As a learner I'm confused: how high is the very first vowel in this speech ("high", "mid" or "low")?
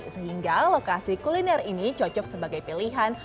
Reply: mid